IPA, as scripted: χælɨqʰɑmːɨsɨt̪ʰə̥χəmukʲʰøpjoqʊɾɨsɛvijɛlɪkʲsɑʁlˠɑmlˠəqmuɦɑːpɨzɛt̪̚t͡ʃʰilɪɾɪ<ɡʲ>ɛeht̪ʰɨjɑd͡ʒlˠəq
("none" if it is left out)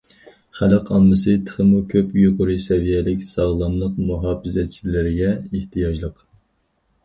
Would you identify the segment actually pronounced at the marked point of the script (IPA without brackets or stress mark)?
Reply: ɡʲ